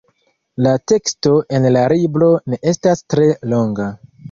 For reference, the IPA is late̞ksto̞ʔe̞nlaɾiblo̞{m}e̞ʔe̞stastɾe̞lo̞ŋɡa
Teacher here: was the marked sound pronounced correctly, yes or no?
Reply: no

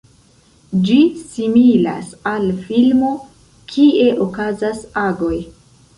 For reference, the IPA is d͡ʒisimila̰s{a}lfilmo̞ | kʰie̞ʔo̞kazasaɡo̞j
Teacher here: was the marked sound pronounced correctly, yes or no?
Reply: yes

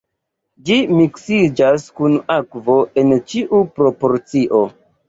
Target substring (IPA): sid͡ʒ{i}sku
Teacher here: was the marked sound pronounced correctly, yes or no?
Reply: no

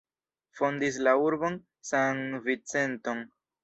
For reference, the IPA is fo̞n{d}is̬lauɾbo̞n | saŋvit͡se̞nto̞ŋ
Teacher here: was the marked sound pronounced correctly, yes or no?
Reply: yes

